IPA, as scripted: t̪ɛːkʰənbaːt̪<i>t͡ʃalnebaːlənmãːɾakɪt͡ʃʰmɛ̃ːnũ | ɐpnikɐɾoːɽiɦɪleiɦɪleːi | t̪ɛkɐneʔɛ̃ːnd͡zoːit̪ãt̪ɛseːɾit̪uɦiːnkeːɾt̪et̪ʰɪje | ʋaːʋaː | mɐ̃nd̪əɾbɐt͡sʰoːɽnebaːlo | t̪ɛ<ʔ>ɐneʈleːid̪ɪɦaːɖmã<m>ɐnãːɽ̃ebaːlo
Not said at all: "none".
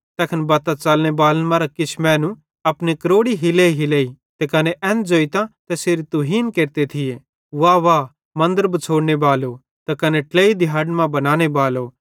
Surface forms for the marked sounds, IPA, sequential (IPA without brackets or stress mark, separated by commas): a, k, b